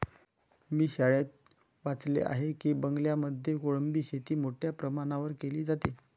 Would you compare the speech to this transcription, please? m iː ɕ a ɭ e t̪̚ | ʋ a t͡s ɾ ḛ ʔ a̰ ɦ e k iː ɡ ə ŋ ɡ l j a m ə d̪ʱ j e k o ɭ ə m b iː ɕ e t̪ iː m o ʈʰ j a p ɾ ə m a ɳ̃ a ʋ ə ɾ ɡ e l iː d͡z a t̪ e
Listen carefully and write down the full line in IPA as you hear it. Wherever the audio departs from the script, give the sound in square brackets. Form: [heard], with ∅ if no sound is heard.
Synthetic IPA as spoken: m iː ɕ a ɭ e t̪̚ | ʋ a t͡s [l] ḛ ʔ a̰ ɦ e k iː [b] ə ŋ ɡ l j a m ə d̪ʱ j e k o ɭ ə m b iː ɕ e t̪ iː m o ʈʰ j a p ɾ ə m a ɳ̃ a ʋ ə ɾ [k] e l iː d͡z a t̪ e